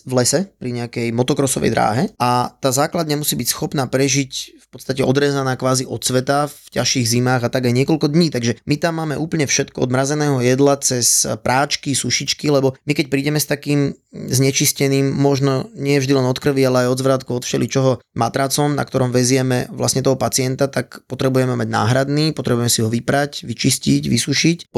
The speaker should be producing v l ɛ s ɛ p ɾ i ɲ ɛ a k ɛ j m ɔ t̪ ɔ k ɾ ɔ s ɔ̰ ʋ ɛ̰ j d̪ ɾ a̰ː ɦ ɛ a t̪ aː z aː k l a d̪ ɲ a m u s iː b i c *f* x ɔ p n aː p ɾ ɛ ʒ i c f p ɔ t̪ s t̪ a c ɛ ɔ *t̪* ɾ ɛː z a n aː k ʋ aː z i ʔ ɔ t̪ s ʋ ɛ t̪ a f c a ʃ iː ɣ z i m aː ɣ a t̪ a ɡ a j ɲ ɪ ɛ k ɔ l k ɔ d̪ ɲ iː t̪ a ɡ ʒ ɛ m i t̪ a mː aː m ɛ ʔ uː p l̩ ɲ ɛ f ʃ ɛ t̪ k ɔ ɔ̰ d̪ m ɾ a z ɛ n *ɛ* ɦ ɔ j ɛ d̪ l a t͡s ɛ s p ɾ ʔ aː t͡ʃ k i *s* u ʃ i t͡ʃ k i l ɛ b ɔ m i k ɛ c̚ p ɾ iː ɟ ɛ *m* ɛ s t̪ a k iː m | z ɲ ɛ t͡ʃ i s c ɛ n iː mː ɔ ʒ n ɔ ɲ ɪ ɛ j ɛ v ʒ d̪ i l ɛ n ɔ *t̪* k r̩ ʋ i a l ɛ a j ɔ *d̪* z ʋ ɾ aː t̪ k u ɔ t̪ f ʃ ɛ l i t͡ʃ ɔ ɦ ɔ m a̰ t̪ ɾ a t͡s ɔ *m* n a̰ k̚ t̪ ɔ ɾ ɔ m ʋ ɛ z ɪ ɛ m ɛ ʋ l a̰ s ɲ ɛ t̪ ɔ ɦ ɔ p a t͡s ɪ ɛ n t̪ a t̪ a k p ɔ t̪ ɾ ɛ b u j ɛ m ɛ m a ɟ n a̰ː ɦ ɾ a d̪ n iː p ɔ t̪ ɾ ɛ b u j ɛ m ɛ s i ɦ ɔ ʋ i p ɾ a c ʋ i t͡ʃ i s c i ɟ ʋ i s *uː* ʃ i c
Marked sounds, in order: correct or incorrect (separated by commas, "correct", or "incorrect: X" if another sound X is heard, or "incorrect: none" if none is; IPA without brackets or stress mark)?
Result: incorrect: s, incorrect: d̪, incorrect: ɛː, correct, correct, correct, correct, correct, incorrect: u